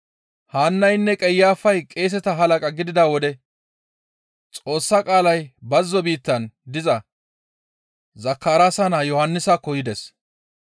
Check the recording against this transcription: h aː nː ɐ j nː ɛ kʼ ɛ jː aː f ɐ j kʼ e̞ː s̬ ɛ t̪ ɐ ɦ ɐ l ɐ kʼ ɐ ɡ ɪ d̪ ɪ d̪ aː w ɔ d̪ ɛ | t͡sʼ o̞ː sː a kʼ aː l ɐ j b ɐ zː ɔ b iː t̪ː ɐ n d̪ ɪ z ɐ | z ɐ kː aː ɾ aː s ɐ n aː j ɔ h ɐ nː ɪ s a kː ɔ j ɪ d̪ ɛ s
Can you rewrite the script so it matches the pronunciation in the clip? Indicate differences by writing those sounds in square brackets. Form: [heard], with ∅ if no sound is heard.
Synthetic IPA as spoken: h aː nː ɐ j nː ɛ kʼ ɛ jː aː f ɐ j kʼ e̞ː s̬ ɛ t̪ ɐ ɦ ɐ l ɐ kʼ ɐ ɡ ɪ d̪ ɪ d̪ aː w ɔ d̪ ɛ | t͡sʼ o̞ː sː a kʼ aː l ɐ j b ɐ zː ɔ b iː t̪ː ɐ n d̪ ɪ z ɐ | z ɐ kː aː ɾ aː s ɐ n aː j ɔ h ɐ nː ɪ s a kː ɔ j ɪ d̪ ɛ s

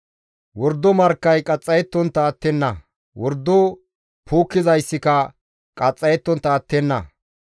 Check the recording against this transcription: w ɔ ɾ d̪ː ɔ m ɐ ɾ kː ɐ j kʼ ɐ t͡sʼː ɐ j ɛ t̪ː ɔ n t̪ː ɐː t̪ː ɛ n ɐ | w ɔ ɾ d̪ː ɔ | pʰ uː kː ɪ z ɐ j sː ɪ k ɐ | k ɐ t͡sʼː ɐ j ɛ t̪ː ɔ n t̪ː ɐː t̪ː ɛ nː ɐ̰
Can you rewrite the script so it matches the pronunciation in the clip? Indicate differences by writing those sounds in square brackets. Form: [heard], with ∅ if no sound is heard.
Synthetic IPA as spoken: w ɔ ɾ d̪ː ɔ m ɐ ɾ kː ɐ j kʼ ɐ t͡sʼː ɐ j ɛ t̪ː ɔ n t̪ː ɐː t̪ː ɛ [nː] ɐ | w ɔ ɾ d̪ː ɔ | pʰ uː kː ɪ z ɐ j sː ɪ k ɐ | [kʼ] ɐ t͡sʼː ɐ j ɛ t̪ː ɔ n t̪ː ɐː t̪ː ɛ nː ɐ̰

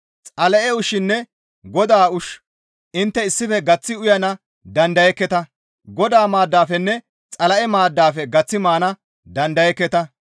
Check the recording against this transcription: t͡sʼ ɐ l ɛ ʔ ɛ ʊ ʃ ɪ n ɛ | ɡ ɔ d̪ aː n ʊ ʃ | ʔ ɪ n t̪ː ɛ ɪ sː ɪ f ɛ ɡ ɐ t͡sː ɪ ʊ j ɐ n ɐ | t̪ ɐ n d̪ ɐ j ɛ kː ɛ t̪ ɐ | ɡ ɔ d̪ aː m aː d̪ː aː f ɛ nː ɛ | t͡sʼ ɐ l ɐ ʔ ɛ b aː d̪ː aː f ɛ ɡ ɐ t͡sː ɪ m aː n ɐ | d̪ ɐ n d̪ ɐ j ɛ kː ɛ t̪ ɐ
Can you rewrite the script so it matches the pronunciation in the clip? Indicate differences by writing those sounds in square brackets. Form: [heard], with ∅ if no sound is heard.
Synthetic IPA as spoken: t͡sʼ ɐ l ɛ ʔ ɛ ʊ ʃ ɪ [nː] ɛ | ɡ ɔ d̪ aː [∅] ʊ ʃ | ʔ ɪ n t̪ː ɛ ɪ sː ɪ f ɛ ɡ ɐ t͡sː ɪ ʊ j ɐ n ɐ | [d̪] ɐ n d̪ ɐ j ɛ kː ɛ t̪ ɐ | ɡ ɔ d̪ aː m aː d̪ː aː f ɛ nː ɛ | t͡sʼ ɐ l ɐ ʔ ɛ [m] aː d̪ː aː f ɛ ɡ ɐ t͡sː ɪ m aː n ɐ | d̪ ɐ n d̪ ɐ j ɛ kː ɛ t̪ ɐ

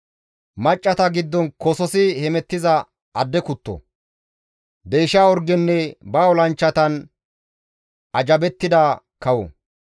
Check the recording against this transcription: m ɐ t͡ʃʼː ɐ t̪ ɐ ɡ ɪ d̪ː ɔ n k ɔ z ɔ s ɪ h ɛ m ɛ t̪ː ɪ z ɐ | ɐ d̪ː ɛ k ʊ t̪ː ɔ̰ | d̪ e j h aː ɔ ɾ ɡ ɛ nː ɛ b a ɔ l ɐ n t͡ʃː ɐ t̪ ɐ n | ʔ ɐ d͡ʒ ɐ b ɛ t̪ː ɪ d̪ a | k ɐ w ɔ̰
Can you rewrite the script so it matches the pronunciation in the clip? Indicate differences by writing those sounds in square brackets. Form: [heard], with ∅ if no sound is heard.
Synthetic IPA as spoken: m ɐ t͡ʃʼː ɐ t̪ ɐ ɡ ɪ d̪ː ɔ n k ɔ [s] ɔ s ɪ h ɛ m ɛ t̪ː ɪ z ɐ | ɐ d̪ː ɛ k ʊ t̪ː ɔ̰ | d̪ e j [ʃ] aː ɔ ɾ ɡ ɛ nː ɛ b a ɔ l ɐ n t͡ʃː ɐ t̪ ɐ n | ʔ ɐ d͡ʒ ɐ b ɛ t̪ː ɪ d̪ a | k ɐ w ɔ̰

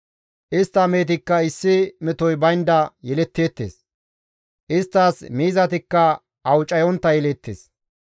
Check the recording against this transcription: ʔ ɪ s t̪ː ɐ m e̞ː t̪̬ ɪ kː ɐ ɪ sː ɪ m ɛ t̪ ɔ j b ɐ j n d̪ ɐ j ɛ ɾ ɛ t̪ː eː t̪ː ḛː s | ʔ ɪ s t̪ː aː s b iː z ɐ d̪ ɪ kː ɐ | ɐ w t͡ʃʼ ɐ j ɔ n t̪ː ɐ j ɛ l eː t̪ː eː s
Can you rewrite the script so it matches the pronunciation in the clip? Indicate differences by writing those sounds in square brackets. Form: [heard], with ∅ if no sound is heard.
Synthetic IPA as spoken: ʔ ɪ s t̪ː ɐ m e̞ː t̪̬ ɪ kː ɐ ɪ sː ɪ m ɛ t̪ ɔ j b ɐ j n d̪ ɐ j ɛ [l] ɛ t̪ː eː t̪ː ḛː s | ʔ ɪ s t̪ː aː s [m] iː z ɐ [t̪] ɪ kː ɐ | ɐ w t͡ʃʼ ɐ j ɔ n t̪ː ɐ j ɛ l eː t̪ː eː s

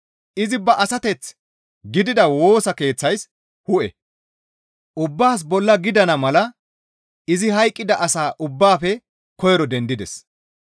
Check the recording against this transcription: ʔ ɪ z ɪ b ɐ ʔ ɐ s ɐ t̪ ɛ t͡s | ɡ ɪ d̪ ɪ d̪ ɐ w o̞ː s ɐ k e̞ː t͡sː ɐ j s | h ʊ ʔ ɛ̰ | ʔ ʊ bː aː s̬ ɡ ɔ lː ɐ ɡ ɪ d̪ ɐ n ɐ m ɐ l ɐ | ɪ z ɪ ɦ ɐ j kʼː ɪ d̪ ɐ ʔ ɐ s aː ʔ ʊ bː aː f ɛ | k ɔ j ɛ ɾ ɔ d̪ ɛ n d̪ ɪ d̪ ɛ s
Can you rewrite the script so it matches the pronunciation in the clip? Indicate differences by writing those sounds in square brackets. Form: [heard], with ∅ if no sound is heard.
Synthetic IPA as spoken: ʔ ɪ z ɪ b ɐ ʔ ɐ s ɐ t̪ ɛ t͡s | ɡ ɪ d̪ ɪ d̪ ɐ w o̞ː s ɐ k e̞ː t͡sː ɐ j s | h ʊ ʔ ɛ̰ | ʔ ʊ bː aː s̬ [b] ɔ lː ɐ ɡ ɪ d̪ ɐ n ɐ m ɐ l ɐ | ɪ z ɪ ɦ ɐ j kʼː ɪ d̪ ɐ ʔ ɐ s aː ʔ ʊ bː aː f ɛ | k ɔ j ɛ ɾ ɔ d̪ ɛ n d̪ ɪ d̪ ɛ s

